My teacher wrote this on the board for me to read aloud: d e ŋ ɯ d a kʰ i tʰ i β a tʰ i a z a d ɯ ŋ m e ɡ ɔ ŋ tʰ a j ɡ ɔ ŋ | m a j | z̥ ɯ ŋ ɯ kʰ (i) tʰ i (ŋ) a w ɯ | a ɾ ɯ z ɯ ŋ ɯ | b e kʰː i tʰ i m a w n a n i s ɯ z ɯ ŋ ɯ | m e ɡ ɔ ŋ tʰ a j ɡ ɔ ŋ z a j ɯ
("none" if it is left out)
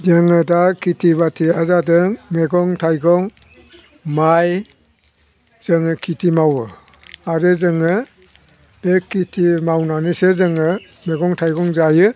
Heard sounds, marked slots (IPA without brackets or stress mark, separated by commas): i, m